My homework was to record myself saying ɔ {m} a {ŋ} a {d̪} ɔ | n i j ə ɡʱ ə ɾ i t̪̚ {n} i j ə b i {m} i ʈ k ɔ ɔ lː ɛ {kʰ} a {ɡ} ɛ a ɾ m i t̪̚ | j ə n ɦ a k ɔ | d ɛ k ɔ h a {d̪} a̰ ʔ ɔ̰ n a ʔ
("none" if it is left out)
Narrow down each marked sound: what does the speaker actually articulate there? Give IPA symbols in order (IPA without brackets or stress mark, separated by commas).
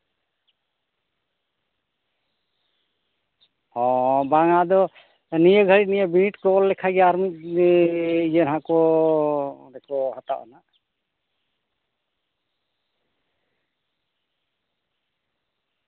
b, ŋ, d̪, n, n, kʰ, ɡ, t̪